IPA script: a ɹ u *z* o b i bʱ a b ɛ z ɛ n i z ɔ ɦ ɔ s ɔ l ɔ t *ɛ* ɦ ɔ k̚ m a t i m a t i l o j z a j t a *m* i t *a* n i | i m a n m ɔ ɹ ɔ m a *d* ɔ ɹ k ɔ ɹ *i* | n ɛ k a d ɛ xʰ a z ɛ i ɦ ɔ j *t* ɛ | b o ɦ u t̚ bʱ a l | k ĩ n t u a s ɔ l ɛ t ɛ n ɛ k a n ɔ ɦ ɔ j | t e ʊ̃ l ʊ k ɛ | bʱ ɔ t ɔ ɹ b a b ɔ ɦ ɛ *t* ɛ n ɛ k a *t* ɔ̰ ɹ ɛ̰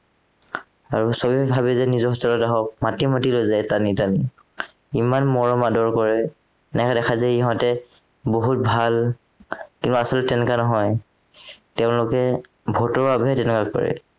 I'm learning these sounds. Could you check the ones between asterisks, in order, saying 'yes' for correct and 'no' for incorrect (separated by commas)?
no, no, no, yes, yes, no, yes, yes, no